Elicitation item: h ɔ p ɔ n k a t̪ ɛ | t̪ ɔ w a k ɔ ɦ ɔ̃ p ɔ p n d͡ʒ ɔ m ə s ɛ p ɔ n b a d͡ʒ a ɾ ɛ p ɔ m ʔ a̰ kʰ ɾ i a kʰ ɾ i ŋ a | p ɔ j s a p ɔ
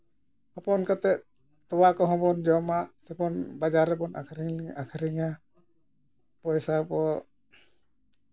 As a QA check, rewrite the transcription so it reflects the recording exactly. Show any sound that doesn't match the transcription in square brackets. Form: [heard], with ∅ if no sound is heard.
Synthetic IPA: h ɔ p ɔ n k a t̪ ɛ | t̪ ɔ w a k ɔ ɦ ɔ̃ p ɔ [∅] n d͡ʒ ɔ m [a] s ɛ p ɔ n b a d͡ʒ a ɾ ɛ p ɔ [n] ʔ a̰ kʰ ɾ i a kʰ ɾ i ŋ a | p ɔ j s a p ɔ